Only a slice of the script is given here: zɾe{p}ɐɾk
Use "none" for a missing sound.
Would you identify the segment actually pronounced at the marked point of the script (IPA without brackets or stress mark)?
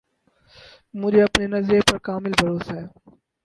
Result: p